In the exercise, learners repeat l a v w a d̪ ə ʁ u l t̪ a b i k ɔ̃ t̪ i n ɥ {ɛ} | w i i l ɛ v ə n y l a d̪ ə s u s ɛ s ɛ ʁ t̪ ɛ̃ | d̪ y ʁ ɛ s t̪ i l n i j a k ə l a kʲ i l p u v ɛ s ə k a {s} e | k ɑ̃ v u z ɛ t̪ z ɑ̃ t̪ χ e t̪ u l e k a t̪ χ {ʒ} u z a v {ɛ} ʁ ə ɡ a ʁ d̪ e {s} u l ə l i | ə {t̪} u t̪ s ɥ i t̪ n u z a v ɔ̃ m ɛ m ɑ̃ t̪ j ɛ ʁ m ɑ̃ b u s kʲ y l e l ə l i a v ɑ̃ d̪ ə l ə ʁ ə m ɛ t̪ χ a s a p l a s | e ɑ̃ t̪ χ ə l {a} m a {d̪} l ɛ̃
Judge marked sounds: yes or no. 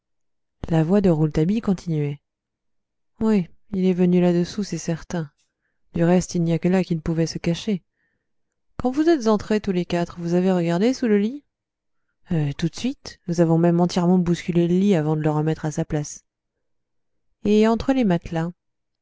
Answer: yes, no, no, no, yes, yes, no, no

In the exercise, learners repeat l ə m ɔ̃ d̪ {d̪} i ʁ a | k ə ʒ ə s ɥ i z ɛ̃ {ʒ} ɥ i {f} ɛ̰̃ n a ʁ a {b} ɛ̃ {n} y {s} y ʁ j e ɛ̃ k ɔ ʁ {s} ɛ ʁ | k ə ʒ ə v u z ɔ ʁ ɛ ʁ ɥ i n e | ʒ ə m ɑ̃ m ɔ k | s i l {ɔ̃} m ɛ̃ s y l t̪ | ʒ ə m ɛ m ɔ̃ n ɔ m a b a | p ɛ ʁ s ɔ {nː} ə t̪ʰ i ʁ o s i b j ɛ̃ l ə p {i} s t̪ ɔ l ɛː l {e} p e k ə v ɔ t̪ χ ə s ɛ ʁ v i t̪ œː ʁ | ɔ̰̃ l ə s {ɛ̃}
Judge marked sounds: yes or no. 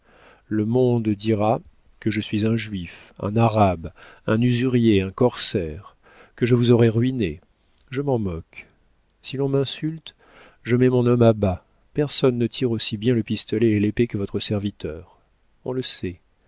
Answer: yes, yes, yes, yes, yes, no, yes, yes, yes, yes, yes, no

